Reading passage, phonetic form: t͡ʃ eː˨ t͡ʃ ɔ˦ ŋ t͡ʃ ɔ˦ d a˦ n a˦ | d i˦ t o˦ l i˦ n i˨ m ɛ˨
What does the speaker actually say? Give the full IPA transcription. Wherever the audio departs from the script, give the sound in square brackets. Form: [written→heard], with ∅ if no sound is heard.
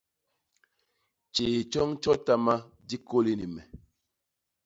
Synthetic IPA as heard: t͡ʃ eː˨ t͡ʃ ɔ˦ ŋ t͡ʃ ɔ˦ [d→t] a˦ [n→m] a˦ | d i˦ [t→k] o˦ l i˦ n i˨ m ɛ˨